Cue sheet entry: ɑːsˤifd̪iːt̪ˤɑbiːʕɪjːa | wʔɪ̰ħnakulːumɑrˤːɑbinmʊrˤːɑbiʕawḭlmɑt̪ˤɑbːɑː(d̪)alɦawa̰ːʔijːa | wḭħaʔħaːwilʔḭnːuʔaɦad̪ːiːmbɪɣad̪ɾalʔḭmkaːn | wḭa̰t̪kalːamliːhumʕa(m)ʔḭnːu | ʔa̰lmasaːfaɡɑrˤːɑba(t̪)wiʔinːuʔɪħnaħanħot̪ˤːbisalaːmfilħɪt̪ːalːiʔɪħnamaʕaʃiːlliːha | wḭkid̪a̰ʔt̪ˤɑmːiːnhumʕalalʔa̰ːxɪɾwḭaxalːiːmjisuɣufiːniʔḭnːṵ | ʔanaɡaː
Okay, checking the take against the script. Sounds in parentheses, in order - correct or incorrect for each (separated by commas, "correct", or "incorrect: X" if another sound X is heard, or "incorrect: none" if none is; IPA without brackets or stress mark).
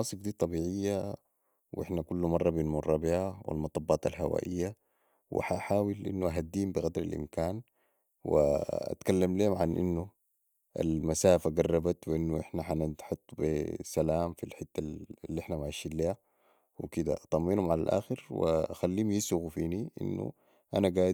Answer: incorrect: t̪, incorrect: n, correct